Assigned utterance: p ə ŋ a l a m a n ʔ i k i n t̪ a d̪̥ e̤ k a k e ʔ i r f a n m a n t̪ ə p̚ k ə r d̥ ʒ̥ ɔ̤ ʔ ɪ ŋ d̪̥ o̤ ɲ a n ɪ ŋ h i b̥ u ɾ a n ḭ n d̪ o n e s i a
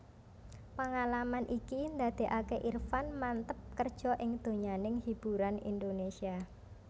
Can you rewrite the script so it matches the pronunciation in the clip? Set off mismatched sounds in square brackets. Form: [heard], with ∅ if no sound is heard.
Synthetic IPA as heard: p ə ŋ a l a m a n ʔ i k i n [d̪] a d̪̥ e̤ [ʔ] a k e ʔ i r f a n m a n t̪ ə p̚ k ə r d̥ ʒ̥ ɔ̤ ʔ ɪ ŋ d̪̥ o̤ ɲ a n ɪ ŋ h i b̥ u ɾ a n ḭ n d̪ o n e s i a